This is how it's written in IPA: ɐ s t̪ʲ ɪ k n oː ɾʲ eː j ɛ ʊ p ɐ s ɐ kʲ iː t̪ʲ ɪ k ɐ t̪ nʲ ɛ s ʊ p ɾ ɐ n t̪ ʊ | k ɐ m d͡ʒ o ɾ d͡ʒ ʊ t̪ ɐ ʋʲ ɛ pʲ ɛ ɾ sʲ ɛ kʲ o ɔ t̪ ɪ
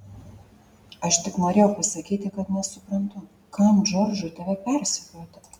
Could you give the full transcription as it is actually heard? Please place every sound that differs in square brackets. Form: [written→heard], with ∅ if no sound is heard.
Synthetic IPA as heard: ɐ [s→ʃ] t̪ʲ ɪ k n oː ɾʲ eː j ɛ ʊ p ɐ s ɐ kʲ iː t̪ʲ ɪ k ɐ t̪ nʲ ɛ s ʊ p ɾ ɐ n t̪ ʊ | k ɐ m d͡ʒ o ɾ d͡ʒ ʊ t̪ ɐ ʋʲ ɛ pʲ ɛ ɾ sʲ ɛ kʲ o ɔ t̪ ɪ